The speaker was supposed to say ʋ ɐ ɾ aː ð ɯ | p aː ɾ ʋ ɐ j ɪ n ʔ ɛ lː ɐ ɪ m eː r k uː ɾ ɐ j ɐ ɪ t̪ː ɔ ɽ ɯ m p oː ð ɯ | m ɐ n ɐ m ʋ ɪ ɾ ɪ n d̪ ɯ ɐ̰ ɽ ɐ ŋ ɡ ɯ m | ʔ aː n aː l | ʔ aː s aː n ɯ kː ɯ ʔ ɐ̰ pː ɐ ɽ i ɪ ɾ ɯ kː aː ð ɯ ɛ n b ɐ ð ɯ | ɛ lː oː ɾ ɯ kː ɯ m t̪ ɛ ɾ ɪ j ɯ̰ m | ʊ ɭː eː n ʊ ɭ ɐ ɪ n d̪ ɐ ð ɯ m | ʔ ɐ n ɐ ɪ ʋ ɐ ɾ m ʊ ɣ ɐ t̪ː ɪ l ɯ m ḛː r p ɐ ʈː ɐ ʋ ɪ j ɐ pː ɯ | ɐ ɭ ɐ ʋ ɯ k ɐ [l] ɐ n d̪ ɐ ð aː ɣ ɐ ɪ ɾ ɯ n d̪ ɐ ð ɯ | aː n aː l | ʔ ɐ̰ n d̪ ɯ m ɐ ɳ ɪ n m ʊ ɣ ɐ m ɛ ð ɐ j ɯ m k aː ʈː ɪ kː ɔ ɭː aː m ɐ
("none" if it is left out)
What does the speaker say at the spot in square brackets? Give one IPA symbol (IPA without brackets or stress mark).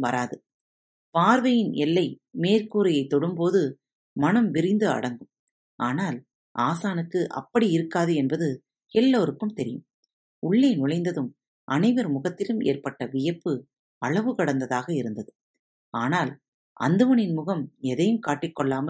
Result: ɽ